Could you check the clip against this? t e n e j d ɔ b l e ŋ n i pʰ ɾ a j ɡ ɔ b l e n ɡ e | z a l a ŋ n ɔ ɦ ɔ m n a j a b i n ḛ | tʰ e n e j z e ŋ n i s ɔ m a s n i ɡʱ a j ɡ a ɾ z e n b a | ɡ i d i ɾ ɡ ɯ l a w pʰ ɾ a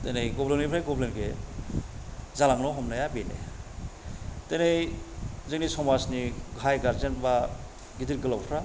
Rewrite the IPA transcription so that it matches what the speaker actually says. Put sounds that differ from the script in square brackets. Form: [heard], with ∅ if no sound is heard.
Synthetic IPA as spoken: t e n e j [ɡ] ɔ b l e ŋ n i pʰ ɾ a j ɡ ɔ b l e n ɡ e | z a l a ŋ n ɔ ɦ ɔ m n a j a b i n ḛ | [t] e n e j z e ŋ n i s ɔ m a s n i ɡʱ a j ɡ a ɾ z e n b a | ɡ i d i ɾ ɡ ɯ l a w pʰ ɾ a